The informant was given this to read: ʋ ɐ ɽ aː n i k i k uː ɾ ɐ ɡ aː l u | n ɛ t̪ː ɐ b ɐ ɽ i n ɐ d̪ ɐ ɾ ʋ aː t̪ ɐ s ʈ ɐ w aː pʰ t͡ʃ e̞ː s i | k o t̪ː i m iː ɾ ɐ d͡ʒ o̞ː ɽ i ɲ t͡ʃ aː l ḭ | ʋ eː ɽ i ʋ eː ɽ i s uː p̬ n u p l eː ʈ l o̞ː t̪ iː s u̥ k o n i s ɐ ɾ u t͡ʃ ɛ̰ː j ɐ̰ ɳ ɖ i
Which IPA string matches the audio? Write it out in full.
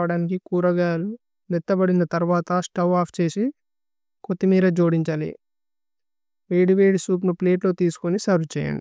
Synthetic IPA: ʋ ɐ ɽ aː n i k i k uː ɾ ɐ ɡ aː l u | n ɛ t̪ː ɐ b ɐ ɽ i n ɐ t̪ ɐ ɾ ʋ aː t̪ ɐ s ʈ ɐ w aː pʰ t͡ʃ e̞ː s i | k o t̪ː i m iː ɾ ɐ d͡ʒ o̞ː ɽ i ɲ t͡ʃ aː l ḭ | ʋ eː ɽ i ʋ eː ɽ i s uː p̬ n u p l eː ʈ l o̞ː t̪ iː s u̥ k o n i s ɐ ɾ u t͡ʃ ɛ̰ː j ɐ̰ ɳ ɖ i